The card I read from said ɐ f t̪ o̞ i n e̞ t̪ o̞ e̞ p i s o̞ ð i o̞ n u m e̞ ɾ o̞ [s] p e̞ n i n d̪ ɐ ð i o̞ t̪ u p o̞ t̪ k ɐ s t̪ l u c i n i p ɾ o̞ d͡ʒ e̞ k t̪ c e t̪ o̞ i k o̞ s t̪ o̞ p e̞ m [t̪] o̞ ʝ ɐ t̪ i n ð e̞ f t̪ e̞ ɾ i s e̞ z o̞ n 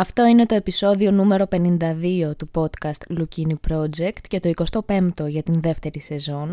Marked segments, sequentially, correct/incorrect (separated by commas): incorrect, correct